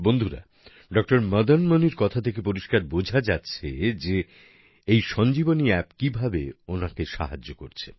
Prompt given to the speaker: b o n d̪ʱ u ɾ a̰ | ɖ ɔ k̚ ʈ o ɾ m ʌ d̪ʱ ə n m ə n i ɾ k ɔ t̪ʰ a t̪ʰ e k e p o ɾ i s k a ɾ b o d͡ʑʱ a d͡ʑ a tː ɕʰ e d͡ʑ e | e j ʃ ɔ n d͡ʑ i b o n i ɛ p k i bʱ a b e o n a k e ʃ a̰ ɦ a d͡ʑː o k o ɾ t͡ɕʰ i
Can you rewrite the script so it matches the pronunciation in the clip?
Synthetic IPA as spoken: b o n d̪ʱ u ɾ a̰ | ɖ ɔ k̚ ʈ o ɾ m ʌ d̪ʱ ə n m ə n i ɾ k ɔ t̪ʰ a t̪ʰ e k e p o ɾ i ʃ k a ɾ b o d͡ʑʱ a d͡ʑ a tː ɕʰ e d͡ʑ e | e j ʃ ɔ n d͡ʑ i b o n i ɛ p k i bʱ a b e o n a k e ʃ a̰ ɦ a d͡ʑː o k o ɾ t͡ɕʰ e